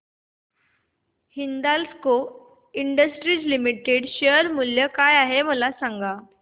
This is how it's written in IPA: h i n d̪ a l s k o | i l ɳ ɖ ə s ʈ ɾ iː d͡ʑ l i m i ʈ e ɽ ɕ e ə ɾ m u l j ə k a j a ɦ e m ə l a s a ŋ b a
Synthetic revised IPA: h i n d̪ a l s k o | i ɳ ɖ ə s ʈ ɾ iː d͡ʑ l i m i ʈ e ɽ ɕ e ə ɾ m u l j ə k a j a ɦ e m ə l a s a ŋ ɡ a